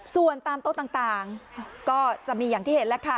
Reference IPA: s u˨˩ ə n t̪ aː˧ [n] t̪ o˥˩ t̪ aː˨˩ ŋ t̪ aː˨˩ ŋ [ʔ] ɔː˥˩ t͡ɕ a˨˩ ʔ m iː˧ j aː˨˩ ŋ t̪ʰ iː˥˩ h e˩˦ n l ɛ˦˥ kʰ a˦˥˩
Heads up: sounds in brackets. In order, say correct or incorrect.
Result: incorrect, incorrect

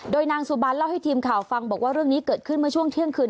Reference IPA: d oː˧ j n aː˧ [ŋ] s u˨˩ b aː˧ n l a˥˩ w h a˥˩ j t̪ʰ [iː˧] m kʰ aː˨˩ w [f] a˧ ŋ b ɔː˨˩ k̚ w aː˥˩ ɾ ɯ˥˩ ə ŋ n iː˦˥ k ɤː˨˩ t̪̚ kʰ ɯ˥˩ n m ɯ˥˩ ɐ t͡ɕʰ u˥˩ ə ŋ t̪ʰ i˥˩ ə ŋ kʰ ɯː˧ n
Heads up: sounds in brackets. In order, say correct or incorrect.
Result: correct, correct, correct

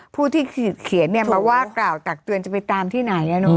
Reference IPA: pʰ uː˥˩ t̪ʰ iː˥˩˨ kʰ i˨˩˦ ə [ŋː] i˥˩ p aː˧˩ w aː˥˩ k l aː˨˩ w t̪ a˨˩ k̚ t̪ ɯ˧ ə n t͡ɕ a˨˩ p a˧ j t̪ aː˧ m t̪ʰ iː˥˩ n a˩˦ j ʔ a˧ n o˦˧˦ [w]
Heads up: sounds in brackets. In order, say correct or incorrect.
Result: incorrect, incorrect

